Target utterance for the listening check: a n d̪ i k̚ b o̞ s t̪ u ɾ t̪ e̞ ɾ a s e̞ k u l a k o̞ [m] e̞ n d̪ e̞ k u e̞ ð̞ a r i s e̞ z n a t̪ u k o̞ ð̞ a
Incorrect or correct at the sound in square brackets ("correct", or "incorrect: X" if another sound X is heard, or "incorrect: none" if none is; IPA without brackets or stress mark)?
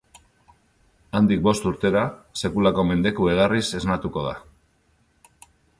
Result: correct